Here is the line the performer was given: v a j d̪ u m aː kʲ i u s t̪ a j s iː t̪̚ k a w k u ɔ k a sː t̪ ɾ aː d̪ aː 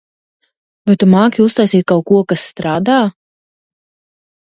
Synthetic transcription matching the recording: v a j t̪ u m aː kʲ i u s t̪ a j s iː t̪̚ k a w k u ɔ k a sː t̪ ɾ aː d̪ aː